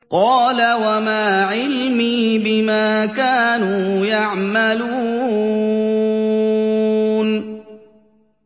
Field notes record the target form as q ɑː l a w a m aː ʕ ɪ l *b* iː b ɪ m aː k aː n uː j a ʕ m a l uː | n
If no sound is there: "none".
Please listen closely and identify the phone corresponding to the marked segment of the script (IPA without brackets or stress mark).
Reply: m